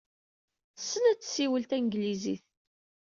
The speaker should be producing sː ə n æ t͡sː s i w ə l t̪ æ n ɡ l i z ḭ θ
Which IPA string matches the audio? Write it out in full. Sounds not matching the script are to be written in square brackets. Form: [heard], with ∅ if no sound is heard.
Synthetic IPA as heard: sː ə n æ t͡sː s i w ə l t̪ æ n ɡ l i z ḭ θ